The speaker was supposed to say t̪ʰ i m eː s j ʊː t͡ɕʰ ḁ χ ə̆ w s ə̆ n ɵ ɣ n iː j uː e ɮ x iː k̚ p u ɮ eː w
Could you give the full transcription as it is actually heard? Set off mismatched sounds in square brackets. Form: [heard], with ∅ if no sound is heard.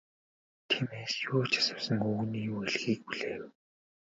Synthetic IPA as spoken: t̪ʰ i m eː s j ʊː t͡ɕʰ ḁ [s] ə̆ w s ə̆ [ŋ] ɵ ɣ n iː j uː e ɮ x iː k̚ p u ɮ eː w